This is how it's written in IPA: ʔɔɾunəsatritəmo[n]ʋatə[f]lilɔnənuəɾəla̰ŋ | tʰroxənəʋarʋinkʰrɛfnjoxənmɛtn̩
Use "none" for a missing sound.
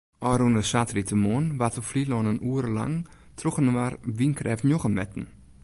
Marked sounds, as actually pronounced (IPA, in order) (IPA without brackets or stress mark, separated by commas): n, f